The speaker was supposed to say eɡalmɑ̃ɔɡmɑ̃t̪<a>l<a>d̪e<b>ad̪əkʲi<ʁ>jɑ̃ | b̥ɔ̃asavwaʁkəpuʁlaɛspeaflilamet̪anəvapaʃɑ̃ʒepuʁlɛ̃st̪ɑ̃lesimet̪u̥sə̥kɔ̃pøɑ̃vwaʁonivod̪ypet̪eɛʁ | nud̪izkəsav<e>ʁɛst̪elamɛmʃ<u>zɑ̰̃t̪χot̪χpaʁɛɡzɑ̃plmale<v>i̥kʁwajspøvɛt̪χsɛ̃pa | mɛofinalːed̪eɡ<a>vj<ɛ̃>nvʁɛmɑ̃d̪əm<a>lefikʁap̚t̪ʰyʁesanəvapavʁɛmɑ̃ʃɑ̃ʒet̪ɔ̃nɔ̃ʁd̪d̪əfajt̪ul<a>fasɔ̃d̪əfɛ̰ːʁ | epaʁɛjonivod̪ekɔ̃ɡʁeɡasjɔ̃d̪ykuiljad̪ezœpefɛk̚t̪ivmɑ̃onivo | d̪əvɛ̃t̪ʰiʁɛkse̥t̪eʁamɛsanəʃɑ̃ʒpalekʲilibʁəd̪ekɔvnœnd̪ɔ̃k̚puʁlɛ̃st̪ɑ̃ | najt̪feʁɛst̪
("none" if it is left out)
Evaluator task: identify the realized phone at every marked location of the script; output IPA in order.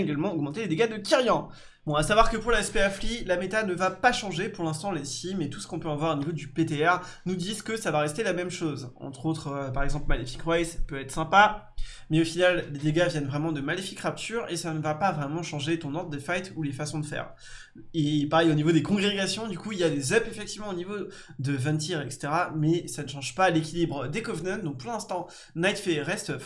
e, e, ɡ, ʁ, a, o, f, a, ɛ, a, e

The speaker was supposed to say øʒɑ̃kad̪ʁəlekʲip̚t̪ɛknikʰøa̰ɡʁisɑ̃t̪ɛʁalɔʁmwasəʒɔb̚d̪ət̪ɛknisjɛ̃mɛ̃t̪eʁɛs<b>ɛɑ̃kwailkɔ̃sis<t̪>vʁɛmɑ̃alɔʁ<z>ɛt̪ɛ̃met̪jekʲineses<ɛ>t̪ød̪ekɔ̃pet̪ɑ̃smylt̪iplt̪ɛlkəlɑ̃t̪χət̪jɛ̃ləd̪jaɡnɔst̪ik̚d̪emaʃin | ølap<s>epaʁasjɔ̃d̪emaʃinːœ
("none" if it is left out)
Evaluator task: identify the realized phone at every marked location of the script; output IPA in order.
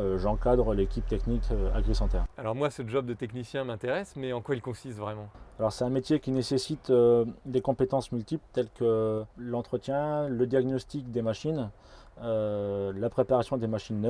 m, t̪, s, i, χ

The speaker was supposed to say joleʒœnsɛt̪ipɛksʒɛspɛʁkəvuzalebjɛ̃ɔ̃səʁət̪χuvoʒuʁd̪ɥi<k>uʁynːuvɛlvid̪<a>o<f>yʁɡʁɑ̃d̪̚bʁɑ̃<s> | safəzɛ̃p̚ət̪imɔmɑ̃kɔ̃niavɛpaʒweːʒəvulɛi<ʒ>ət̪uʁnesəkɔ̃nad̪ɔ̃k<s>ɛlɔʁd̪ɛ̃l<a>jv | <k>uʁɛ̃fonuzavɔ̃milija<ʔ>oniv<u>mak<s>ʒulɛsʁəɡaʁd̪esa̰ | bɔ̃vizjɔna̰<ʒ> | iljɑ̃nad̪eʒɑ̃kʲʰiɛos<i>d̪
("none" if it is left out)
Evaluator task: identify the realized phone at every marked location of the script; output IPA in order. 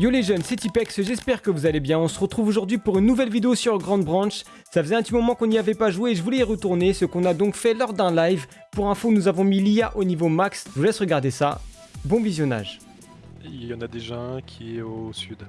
p, e, s, ʃ, ʁ, f, a, p, ʔ, o, s, ʒ, y

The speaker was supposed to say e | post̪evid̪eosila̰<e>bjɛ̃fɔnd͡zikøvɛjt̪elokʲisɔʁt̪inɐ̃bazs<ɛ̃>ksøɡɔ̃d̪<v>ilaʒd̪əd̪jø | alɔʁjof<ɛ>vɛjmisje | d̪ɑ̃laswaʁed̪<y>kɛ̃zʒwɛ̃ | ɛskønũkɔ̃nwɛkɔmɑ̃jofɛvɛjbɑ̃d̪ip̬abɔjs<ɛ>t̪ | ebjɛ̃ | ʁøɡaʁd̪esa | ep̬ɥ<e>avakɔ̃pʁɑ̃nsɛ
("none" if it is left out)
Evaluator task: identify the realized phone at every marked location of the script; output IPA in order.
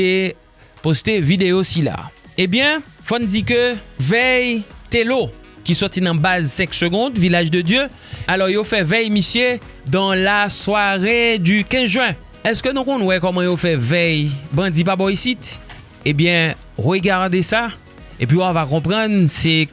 e, ɛ̃, v, ɛ, y, i, i

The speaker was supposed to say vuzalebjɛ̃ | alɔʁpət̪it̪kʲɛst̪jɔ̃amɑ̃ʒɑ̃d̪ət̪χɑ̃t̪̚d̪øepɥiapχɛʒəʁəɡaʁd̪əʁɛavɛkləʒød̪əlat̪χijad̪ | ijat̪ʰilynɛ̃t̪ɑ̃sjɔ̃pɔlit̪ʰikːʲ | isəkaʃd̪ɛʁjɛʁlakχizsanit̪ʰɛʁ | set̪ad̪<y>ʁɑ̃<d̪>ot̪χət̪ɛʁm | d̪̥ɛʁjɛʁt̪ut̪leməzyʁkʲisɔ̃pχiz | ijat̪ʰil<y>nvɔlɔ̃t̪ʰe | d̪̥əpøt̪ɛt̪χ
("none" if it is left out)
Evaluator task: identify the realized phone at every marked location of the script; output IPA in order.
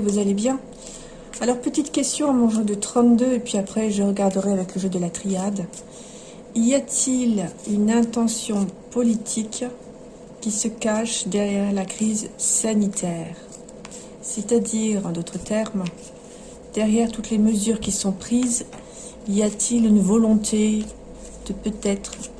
i, d̪, y

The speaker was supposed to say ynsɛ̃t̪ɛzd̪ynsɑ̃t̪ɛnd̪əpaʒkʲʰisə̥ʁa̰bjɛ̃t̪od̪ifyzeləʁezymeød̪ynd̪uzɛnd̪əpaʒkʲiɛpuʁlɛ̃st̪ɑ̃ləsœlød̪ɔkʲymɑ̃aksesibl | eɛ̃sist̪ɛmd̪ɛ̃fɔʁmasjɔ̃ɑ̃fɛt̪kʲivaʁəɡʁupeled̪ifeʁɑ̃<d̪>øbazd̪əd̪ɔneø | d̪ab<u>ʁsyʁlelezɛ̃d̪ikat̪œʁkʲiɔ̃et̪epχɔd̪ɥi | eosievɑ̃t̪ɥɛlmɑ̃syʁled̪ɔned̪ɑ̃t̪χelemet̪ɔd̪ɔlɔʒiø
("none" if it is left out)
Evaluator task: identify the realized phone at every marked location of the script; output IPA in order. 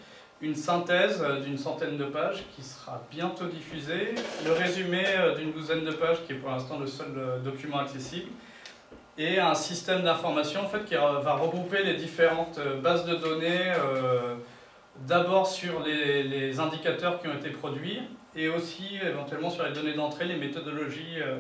t̪, ɔ

